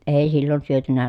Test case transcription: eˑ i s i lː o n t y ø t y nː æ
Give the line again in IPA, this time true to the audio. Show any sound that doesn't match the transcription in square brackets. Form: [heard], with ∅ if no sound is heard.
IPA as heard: eˑ i s i lː o n [s] y ø t y [n] æ